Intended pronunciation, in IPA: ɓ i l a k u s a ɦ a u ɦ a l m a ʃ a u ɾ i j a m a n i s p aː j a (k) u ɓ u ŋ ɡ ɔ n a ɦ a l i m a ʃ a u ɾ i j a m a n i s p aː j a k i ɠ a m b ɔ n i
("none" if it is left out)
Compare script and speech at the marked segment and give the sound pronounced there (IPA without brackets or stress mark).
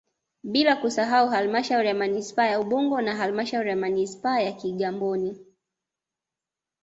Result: none